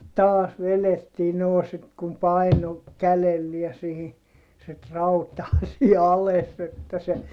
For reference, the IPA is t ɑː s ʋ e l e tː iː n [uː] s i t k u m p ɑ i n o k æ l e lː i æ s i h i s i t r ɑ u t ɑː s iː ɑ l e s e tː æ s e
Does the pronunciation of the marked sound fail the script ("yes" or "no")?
yes